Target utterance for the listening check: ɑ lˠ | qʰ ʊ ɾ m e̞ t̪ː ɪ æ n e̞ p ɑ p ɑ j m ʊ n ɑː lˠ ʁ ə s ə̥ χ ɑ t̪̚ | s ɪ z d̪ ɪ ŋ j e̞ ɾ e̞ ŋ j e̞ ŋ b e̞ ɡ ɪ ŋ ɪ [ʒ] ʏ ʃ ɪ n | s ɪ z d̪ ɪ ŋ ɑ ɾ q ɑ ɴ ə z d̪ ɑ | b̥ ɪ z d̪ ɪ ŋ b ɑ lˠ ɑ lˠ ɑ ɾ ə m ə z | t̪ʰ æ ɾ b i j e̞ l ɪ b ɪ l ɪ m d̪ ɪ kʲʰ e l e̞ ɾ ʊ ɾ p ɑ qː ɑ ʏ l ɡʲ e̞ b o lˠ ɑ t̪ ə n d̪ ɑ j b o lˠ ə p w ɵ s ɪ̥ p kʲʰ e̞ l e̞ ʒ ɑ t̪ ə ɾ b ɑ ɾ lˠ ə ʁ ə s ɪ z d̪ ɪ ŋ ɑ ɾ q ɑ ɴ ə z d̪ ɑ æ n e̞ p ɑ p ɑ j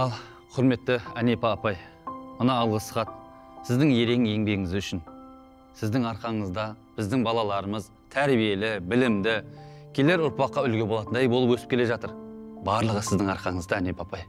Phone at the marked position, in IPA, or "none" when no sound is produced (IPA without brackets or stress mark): z